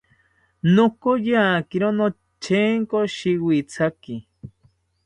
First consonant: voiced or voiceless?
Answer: voiced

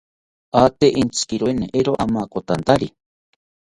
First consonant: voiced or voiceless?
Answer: voiceless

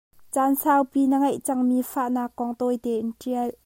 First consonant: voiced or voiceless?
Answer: voiceless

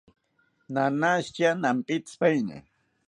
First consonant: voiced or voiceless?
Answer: voiced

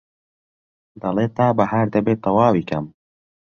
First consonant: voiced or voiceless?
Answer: voiced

